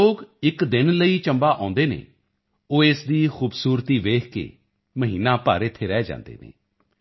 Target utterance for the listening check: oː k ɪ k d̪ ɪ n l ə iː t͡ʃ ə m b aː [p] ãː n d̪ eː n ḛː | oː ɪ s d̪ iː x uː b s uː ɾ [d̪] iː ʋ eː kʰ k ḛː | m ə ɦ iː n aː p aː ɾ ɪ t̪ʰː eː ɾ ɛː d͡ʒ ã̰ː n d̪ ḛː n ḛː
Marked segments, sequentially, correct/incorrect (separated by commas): incorrect, incorrect